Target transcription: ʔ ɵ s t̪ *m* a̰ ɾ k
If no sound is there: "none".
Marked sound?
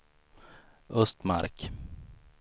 m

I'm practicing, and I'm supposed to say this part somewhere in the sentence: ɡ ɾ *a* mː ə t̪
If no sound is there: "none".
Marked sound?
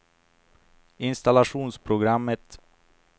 a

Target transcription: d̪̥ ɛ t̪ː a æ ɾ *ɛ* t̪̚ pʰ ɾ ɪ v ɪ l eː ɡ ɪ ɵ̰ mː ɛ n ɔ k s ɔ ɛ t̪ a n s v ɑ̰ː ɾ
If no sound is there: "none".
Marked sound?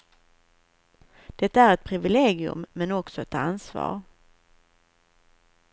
ɛ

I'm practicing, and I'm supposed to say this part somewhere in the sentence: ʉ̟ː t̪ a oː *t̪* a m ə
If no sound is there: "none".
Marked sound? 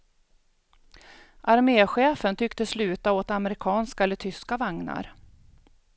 t̪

